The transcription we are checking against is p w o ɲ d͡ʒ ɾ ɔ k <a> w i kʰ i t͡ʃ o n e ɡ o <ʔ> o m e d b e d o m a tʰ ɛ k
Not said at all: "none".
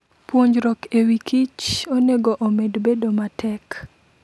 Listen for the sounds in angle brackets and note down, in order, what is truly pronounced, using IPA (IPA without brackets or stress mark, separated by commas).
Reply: e, ʔ